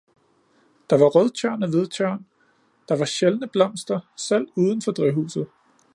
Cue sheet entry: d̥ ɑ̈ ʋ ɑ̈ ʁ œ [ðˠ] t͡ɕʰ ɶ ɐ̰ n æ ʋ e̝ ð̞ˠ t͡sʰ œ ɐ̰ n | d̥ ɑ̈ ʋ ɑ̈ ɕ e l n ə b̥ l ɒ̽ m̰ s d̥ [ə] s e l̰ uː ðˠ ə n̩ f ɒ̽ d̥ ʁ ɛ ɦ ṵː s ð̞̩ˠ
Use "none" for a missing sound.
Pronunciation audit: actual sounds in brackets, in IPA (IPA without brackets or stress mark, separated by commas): ðˠ, ɐ